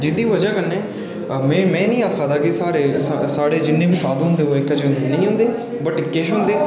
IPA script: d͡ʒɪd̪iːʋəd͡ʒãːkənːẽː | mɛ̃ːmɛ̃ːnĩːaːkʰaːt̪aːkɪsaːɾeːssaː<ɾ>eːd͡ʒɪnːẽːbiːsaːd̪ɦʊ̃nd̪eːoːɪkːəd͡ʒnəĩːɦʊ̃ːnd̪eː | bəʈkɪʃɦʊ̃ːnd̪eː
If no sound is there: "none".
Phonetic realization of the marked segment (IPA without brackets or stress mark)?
ɽ